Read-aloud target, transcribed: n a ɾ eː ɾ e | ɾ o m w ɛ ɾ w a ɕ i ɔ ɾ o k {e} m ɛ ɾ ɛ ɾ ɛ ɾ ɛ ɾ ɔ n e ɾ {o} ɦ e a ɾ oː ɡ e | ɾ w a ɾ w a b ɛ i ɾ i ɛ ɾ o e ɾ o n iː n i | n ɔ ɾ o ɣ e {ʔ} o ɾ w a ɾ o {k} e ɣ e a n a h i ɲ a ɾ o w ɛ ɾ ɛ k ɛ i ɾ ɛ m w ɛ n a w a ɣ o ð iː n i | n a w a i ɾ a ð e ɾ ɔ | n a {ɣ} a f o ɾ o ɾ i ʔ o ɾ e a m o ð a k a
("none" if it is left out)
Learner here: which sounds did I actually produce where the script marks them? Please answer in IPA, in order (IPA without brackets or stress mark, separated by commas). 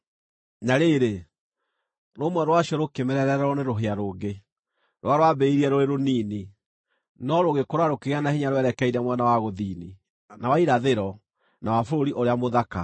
e, o, k, k, w